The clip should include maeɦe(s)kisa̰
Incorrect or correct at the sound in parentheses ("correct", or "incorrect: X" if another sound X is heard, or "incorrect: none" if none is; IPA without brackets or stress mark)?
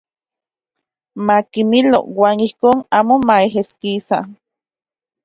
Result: correct